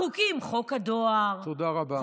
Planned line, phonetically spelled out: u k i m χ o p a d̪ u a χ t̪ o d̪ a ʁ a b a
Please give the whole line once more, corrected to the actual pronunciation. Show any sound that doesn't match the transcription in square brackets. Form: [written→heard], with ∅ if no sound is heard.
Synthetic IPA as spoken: u k i m χ o [p→k] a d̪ [u→o] a [χ→ʁ] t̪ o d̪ a ʁ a b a